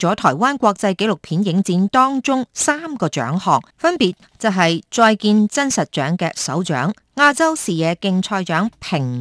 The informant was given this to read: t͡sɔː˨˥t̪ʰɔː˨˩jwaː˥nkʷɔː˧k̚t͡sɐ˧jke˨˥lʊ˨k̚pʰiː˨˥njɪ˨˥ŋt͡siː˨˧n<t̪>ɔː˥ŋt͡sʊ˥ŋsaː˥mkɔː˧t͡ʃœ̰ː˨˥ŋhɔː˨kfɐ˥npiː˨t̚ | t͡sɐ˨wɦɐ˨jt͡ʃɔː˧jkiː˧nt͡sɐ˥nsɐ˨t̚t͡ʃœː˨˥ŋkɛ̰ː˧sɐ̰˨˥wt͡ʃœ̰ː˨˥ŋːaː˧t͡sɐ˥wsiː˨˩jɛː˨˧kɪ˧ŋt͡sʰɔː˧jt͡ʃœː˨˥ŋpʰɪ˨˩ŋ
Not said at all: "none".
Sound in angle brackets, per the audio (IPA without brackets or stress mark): t̪